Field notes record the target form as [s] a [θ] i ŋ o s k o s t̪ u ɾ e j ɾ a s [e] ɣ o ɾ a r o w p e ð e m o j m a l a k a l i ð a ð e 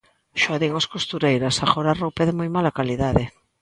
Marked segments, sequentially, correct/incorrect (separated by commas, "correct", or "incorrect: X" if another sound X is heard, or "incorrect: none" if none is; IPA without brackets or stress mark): incorrect: ʃ, incorrect: ð, incorrect: a